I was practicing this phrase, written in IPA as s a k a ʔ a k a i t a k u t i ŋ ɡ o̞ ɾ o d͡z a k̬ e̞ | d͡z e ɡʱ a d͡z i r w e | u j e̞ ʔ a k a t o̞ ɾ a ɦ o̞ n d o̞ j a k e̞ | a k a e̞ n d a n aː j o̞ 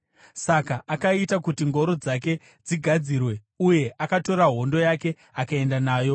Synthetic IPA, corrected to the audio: s a k a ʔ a k a i t a k u t i ŋ ɡ o̞ ɾ o d͡z a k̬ e̞ | d͡z i ɡʱ a d͡z i r w e | u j e̞ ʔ a k a t o̞ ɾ a ɦ o̞ n d o̞ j a k e̞ | a k a e̞ n d a n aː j o̞